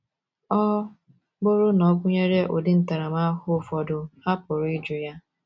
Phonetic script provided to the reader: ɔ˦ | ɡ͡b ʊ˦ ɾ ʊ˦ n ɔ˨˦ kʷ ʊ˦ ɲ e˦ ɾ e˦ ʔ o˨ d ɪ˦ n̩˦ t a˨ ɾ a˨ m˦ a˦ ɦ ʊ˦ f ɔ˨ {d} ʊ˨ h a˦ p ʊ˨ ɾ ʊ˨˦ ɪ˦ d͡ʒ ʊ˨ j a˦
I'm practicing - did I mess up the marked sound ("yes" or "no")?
no